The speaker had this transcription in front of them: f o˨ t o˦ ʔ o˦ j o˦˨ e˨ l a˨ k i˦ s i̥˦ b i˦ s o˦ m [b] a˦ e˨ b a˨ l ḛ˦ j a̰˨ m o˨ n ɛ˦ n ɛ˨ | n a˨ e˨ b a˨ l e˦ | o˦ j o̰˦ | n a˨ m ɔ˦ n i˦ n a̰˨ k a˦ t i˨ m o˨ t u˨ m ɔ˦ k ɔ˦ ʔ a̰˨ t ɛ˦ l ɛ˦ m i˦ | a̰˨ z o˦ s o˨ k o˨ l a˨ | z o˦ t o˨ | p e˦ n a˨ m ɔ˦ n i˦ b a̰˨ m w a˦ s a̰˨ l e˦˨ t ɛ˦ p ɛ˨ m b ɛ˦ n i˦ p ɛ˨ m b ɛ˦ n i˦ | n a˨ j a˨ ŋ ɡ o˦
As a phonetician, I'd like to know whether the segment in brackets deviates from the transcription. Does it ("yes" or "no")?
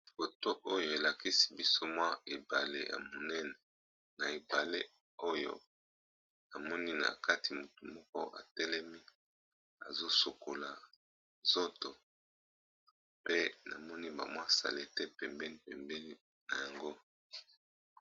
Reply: yes